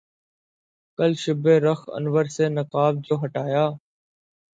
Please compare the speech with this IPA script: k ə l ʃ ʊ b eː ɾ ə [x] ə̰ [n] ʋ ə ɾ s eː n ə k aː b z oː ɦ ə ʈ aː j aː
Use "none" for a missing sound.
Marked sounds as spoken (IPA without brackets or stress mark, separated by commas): x, n